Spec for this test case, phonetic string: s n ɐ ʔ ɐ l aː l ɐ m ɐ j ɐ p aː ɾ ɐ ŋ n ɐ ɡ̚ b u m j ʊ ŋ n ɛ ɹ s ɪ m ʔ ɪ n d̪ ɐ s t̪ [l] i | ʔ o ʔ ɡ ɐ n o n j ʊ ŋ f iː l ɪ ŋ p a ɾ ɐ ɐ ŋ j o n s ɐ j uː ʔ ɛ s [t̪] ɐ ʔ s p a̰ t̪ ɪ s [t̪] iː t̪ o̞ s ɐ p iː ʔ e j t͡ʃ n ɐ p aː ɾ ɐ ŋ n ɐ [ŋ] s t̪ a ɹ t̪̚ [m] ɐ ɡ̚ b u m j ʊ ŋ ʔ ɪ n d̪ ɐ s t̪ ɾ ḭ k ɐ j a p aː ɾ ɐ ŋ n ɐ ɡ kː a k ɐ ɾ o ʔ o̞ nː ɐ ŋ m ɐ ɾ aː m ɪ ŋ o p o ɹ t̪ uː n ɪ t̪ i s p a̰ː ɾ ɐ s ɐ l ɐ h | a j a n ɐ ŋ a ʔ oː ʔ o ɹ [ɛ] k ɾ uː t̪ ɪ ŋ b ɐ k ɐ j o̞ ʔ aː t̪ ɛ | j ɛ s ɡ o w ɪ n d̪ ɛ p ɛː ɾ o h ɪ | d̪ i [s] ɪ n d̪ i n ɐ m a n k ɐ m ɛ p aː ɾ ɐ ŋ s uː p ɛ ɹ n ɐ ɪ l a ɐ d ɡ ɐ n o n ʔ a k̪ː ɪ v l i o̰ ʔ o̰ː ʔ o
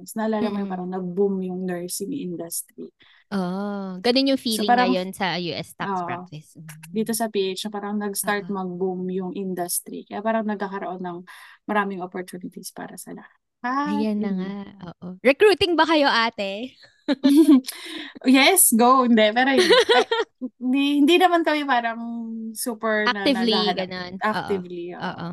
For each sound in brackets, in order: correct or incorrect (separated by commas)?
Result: incorrect, correct, incorrect, incorrect, correct, correct, incorrect